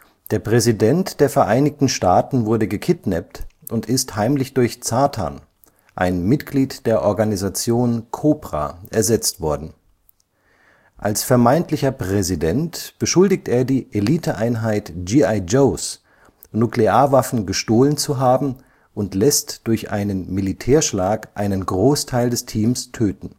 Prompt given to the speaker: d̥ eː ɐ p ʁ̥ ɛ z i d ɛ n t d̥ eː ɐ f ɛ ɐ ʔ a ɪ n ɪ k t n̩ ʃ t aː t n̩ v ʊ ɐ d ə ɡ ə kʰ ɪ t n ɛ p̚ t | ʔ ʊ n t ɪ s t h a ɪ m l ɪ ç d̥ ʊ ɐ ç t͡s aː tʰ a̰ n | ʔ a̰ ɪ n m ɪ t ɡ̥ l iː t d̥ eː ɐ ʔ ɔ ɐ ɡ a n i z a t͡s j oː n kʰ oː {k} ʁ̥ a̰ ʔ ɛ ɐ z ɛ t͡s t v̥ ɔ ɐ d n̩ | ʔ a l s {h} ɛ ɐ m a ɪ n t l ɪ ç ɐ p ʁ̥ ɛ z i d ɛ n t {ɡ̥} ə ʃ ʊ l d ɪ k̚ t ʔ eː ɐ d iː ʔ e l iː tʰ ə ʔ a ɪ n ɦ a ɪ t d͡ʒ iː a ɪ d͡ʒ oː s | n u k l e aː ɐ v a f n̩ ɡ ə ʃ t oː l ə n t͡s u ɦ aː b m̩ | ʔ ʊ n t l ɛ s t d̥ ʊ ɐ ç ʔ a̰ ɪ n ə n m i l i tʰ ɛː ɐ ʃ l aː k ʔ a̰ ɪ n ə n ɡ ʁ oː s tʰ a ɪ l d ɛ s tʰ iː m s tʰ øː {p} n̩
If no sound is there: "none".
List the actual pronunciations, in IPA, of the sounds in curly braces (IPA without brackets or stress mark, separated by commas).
p, f, b̥, t